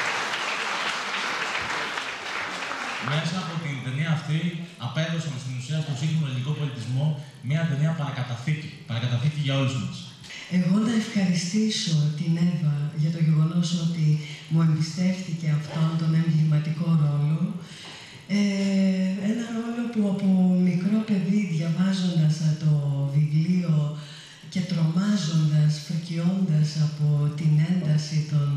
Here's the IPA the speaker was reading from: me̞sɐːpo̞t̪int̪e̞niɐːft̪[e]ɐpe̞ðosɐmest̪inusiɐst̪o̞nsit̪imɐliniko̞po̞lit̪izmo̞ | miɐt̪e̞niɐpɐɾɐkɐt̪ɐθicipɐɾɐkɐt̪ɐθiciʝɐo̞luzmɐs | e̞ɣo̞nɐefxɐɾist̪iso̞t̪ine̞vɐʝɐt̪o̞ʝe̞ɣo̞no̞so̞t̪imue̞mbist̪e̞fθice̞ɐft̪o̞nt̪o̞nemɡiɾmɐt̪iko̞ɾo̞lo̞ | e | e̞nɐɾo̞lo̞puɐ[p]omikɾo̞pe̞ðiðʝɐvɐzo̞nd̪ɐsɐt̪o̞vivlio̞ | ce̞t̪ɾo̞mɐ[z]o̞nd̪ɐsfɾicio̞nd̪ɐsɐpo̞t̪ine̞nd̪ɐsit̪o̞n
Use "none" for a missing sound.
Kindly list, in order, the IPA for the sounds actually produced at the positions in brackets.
i, p, z

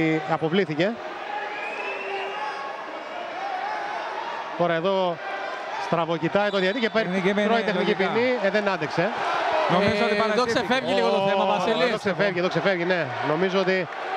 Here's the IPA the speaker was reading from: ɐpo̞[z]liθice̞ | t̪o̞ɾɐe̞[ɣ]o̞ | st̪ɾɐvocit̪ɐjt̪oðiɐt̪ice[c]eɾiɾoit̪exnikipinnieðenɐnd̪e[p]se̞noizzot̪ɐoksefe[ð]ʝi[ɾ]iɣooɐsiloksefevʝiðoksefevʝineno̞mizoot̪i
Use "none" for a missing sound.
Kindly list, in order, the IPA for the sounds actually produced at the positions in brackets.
v, ð, p, k, v, l

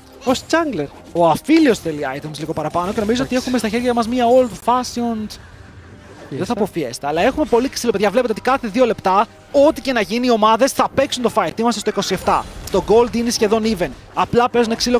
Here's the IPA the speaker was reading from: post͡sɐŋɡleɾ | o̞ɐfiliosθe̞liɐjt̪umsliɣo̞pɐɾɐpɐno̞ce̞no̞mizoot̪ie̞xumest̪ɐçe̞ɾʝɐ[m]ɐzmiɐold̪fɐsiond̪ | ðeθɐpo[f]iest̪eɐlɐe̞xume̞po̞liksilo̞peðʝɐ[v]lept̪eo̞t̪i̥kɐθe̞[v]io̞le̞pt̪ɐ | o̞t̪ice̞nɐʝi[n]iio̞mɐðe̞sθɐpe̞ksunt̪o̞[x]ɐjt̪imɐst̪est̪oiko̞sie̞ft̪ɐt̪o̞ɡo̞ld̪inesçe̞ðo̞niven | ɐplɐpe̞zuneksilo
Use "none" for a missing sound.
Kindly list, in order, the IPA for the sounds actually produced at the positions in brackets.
m, f, v, ð, n, f

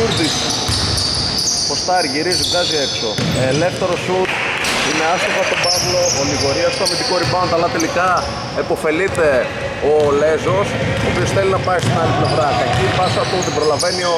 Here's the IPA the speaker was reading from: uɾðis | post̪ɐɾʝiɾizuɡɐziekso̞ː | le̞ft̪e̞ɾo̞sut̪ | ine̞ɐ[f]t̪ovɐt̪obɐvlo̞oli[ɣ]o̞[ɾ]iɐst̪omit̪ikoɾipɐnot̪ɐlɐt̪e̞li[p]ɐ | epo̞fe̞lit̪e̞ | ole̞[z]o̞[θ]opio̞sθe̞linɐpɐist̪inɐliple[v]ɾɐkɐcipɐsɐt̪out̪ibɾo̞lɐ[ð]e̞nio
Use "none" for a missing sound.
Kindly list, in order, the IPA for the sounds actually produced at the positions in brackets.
s, ɣ, ɾ, k, z, s, v, v

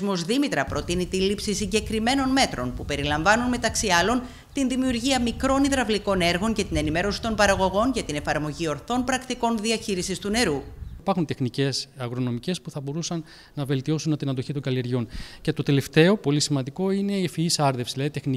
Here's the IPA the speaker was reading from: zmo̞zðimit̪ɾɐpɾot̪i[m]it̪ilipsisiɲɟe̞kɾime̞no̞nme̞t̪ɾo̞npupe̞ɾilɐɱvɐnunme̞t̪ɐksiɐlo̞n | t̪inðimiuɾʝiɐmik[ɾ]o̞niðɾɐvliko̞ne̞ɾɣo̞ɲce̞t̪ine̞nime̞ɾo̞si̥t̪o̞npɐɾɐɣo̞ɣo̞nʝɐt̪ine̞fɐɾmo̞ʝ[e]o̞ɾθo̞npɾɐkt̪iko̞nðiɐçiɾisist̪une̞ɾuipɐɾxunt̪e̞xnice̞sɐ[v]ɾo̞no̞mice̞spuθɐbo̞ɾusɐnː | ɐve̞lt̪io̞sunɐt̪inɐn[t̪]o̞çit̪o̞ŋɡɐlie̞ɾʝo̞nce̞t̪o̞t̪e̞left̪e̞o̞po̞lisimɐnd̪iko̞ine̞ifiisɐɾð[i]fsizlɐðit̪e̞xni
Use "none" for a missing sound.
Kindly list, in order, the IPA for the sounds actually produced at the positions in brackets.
n, ɾ, i, ɣ, d̪, e

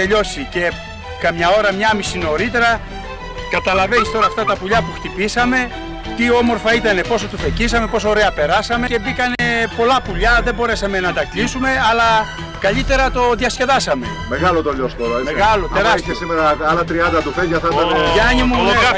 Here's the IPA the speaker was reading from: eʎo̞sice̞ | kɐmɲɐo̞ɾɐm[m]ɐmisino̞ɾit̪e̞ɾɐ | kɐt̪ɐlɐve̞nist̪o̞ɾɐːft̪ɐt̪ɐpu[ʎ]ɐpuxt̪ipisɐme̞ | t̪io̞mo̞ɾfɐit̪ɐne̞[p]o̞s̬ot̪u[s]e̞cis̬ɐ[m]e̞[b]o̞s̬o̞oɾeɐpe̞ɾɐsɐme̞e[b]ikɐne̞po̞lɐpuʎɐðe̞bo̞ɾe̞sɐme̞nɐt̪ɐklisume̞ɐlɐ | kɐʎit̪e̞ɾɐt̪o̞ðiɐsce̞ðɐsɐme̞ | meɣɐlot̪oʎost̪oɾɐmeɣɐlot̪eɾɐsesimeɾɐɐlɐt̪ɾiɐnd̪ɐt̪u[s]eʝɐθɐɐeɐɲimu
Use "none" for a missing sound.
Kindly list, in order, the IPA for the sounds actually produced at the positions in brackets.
ɲ, ʎ, p, f, m, p, b, f

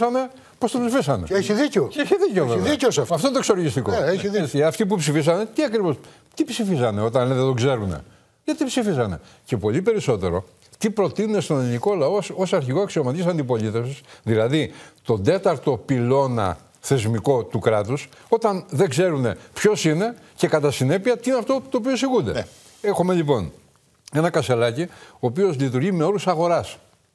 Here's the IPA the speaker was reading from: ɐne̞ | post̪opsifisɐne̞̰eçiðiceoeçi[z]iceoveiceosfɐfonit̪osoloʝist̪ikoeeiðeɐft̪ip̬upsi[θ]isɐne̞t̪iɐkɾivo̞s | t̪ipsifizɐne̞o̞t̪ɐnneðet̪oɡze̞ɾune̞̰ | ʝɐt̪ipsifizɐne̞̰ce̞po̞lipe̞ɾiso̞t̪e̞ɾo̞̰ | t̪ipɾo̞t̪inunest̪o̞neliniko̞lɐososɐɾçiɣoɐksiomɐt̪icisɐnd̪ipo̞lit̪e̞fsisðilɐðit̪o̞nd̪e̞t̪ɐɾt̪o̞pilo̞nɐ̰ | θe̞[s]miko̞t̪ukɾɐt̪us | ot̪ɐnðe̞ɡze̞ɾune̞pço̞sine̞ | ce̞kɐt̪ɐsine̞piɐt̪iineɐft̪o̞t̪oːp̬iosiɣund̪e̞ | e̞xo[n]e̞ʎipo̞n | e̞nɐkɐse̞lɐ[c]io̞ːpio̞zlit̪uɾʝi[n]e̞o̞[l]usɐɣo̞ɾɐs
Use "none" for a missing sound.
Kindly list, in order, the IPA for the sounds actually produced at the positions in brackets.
ð, f, z, m, c, m, ɾ

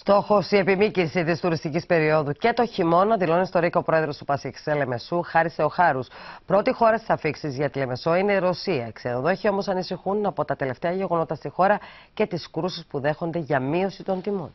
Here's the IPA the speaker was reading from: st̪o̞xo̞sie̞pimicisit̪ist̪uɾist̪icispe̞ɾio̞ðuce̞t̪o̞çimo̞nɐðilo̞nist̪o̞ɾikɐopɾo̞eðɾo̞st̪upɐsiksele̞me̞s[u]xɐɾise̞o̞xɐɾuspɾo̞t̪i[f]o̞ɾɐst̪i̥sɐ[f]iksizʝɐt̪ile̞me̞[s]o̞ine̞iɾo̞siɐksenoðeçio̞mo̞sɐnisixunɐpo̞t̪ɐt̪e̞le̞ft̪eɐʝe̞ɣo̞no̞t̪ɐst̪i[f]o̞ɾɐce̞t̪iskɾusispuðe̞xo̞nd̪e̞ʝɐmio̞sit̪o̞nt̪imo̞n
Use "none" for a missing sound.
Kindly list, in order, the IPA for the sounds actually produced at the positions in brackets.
u, x, f, s, x

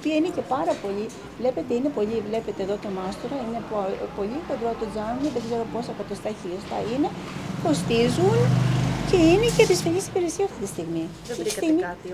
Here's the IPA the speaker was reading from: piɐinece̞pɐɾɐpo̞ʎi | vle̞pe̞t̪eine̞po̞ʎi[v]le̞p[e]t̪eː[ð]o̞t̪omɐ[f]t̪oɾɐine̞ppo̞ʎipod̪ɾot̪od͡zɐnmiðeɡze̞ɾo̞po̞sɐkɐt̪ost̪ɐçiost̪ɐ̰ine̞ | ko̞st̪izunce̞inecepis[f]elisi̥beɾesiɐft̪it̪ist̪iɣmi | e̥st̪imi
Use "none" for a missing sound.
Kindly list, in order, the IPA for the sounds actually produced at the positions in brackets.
v, e, ð, s, f

